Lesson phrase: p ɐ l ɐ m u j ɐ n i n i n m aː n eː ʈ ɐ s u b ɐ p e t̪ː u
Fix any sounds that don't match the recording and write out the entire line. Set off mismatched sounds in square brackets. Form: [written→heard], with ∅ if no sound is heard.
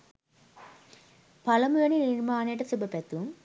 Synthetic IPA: p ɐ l ɐ m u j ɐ n i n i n m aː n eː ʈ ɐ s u b ɐ p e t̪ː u